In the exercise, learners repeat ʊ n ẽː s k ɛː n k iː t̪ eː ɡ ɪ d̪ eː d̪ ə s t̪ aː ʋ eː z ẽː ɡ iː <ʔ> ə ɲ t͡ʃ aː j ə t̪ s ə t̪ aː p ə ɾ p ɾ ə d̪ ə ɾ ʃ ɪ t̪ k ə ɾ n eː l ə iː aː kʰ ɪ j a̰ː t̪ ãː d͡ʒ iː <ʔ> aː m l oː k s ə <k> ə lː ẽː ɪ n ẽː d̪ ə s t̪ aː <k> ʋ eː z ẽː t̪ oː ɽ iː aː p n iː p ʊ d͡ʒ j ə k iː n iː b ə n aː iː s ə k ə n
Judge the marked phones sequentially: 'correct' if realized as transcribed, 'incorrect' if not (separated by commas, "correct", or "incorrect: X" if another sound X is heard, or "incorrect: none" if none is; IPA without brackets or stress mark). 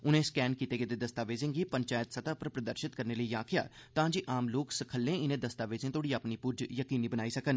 incorrect: p, correct, incorrect: kʰ, incorrect: none